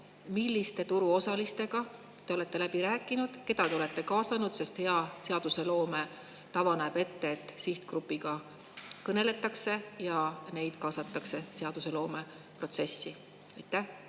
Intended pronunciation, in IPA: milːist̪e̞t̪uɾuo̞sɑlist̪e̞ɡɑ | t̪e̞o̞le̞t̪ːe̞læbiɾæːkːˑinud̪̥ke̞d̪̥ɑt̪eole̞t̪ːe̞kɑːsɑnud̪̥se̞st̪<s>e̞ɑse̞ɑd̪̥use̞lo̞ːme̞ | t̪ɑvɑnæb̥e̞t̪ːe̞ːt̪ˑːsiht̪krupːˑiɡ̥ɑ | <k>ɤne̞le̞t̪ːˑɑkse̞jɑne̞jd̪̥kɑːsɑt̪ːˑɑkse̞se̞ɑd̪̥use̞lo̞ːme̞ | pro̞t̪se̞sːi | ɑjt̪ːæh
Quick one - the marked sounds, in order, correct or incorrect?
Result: incorrect, correct

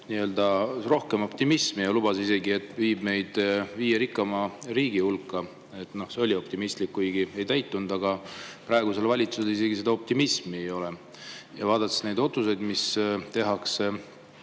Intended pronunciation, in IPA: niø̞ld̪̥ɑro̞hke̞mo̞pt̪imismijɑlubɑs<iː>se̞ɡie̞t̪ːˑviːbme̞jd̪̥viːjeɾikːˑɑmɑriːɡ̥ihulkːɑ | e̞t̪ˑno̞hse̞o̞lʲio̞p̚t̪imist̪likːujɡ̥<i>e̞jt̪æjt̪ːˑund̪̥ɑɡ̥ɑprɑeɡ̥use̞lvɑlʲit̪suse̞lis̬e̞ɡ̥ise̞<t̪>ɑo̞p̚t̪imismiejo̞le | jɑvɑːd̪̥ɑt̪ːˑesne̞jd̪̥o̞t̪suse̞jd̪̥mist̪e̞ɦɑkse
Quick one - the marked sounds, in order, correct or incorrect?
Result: incorrect, correct, incorrect

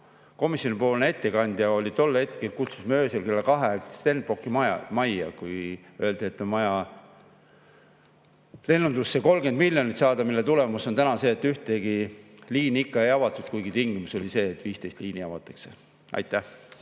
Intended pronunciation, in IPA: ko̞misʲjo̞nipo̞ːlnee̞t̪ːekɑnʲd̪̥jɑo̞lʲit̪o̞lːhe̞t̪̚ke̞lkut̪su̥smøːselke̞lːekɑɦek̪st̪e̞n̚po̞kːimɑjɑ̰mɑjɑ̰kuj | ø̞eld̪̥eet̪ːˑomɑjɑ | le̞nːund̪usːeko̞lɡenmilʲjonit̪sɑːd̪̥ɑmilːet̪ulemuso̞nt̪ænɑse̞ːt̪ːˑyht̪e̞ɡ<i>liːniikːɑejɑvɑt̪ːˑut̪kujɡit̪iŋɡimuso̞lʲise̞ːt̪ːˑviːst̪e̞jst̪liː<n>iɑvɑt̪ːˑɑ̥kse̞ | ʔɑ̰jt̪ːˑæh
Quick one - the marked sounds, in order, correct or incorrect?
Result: correct, correct

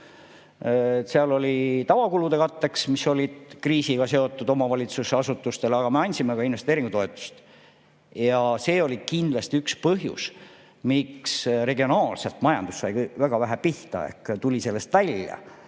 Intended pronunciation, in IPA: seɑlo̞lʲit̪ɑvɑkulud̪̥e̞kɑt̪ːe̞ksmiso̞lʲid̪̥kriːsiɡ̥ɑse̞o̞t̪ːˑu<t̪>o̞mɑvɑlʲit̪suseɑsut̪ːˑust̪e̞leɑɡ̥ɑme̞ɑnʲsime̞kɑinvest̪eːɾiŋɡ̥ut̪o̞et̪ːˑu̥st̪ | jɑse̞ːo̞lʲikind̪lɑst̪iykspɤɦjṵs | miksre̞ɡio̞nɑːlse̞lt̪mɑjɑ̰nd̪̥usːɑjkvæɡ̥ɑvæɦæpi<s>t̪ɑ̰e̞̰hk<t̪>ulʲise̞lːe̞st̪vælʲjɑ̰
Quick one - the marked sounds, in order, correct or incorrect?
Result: incorrect, incorrect, correct

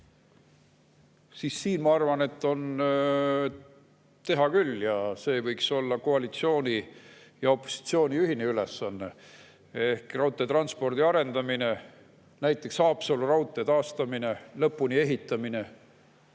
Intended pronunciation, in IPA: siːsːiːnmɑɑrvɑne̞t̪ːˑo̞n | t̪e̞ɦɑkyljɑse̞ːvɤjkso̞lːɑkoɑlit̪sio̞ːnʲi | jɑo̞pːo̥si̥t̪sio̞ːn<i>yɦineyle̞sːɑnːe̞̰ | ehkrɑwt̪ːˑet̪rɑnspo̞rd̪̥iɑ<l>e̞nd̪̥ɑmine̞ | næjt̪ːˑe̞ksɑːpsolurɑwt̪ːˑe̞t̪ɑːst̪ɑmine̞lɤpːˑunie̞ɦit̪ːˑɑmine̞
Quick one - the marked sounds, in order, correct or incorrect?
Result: correct, incorrect

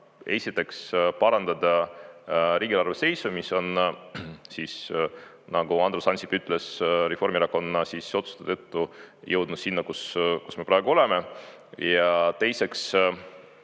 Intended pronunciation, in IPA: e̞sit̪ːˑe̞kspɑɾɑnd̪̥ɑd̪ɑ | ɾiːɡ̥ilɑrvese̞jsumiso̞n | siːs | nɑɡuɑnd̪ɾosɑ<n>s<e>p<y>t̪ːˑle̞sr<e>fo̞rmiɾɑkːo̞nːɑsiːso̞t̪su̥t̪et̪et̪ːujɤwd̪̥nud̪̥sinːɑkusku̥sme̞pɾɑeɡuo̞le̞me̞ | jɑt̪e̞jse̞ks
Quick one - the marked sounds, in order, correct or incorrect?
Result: correct, incorrect, correct, correct

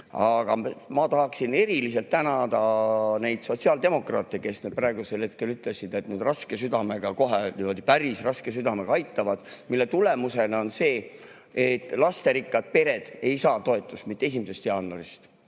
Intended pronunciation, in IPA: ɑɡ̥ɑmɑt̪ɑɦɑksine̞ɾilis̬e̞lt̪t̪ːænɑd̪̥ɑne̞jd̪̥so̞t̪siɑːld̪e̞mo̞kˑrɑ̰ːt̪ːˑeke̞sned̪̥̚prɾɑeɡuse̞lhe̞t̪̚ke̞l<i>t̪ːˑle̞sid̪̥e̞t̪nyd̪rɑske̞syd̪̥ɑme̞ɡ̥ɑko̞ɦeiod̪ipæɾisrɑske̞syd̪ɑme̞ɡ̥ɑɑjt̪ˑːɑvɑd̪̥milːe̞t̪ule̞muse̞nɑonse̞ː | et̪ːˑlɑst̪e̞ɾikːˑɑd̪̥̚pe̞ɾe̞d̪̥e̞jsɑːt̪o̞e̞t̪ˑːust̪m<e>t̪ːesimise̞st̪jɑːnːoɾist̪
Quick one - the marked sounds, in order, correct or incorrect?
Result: incorrect, incorrect

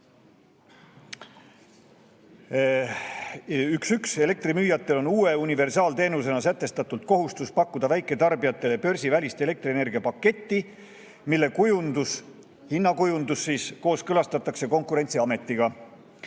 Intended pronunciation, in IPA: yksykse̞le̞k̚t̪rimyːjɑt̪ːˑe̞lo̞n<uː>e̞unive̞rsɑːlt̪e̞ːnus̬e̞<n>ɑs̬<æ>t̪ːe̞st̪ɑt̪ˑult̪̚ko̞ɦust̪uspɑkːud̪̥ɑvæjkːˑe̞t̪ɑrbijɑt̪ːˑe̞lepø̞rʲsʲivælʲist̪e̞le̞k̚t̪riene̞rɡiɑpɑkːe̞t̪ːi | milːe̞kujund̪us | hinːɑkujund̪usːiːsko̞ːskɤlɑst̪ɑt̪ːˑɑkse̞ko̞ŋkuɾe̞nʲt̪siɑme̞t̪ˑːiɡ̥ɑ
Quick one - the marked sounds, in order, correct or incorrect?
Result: correct, correct, correct

